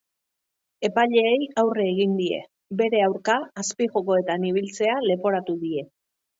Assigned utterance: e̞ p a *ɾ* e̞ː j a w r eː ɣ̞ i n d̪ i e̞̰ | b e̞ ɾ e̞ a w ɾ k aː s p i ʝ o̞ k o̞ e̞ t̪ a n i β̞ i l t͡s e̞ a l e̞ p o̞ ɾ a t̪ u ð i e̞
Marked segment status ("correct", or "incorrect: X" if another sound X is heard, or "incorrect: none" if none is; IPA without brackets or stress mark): incorrect: ʎ